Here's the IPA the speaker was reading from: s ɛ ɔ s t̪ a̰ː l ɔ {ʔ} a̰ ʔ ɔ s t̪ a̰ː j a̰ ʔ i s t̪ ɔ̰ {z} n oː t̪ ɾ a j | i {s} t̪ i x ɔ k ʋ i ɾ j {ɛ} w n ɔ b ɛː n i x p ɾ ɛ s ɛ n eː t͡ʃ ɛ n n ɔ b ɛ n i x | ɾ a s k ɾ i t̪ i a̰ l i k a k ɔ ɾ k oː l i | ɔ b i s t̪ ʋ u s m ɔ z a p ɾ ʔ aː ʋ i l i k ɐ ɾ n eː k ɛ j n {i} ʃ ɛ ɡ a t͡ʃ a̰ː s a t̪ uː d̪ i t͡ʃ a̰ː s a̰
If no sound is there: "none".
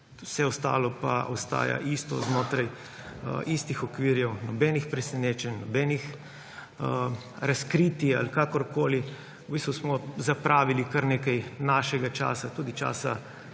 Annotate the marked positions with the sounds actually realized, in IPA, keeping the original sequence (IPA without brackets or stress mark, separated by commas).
p, z, s, ɛ, a